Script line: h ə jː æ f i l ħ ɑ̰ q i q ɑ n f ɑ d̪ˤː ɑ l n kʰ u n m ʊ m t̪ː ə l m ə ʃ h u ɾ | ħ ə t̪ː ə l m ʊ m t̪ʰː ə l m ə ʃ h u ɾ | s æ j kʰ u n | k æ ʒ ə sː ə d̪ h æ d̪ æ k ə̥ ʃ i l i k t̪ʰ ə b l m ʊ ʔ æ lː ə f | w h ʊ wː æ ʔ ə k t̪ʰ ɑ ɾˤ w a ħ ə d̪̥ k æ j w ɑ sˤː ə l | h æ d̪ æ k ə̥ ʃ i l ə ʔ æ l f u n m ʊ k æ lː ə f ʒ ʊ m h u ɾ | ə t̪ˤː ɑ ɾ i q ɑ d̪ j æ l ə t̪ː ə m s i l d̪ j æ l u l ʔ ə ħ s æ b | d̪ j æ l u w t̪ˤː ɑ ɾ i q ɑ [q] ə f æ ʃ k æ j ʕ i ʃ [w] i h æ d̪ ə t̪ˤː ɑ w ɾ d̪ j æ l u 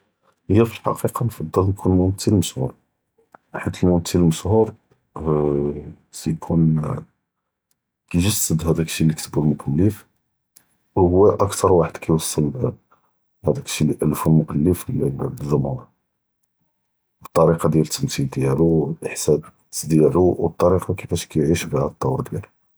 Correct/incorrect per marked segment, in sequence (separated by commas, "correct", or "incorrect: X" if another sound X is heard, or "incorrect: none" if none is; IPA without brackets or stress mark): incorrect: k, incorrect: b